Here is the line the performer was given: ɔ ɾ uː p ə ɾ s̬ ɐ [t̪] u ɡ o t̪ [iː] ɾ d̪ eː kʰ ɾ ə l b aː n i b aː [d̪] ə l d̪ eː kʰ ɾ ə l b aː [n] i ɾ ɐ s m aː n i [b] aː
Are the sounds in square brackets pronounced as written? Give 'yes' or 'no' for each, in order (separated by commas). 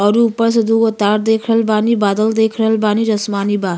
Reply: no, no, yes, yes, yes